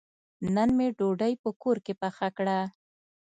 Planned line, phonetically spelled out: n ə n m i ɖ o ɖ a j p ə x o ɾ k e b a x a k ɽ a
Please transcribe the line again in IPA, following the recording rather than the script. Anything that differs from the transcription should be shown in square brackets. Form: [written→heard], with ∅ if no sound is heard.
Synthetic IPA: n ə n m [i→e] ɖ o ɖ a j p ə [x→k] o ɾ k e [b→p] a x a k ɽ a